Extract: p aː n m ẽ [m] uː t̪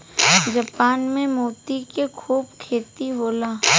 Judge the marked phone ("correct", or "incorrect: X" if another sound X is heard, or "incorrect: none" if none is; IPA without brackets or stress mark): correct